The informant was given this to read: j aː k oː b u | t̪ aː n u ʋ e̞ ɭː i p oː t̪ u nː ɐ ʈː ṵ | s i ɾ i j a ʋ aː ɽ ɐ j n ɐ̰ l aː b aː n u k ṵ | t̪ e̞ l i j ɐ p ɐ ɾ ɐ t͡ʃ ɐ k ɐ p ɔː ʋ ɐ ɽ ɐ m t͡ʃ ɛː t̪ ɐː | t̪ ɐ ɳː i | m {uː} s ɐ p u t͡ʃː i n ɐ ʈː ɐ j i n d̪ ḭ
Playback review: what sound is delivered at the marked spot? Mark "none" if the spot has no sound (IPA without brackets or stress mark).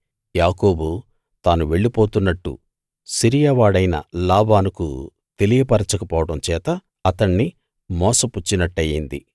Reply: ɔː